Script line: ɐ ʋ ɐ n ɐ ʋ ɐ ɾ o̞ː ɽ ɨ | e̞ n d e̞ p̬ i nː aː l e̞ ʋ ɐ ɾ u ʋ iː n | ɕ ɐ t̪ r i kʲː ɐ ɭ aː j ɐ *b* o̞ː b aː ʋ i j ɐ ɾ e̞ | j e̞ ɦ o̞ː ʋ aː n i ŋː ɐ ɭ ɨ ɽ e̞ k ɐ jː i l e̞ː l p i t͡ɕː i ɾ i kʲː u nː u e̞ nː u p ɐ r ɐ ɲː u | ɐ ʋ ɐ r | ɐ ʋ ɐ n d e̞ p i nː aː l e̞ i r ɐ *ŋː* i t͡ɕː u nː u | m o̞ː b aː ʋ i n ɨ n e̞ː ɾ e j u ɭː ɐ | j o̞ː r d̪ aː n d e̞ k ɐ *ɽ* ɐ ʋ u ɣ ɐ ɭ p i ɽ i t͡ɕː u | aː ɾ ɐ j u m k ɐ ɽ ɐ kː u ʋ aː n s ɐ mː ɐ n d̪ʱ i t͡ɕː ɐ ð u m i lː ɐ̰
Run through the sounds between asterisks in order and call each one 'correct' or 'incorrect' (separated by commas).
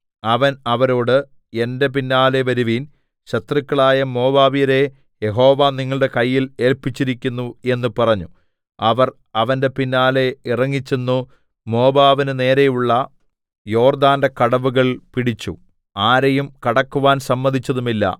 incorrect, correct, correct